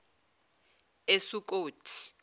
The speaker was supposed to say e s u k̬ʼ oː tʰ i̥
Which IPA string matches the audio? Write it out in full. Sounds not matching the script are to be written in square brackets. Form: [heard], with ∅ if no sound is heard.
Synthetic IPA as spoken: e s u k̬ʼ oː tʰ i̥